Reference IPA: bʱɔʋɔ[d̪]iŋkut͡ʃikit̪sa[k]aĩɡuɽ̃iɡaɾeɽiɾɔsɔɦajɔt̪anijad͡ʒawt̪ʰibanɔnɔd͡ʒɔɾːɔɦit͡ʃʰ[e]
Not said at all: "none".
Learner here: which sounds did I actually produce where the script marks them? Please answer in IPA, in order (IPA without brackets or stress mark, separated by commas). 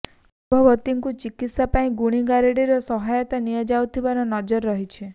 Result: t̪, p, e